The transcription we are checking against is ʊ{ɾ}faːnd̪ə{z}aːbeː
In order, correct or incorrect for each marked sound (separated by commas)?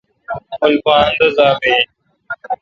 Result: incorrect, correct